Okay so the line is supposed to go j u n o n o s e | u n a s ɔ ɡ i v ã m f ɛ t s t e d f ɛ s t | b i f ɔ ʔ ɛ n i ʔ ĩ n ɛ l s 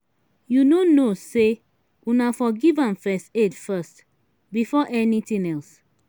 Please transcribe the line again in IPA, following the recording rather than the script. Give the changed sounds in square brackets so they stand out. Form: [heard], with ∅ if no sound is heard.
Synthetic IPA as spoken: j u n o n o s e | u n a [f] ɔ ɡ i v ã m f ɛ [∅] s t e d f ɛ s t | b i f ɔ ʔ ɛ n i [t] ĩ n ɛ l s